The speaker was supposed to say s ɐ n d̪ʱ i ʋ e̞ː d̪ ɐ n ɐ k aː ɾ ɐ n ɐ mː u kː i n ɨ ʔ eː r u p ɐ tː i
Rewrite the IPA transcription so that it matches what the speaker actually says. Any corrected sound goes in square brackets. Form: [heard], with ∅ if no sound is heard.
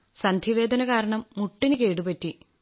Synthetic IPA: s ɐ n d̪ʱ i ʋ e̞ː d̪ ɐ n ɐ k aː ɾ ɐ [ɳ] ɐ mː u [ʈː] i n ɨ [k] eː [ɽ] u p ɐ tː i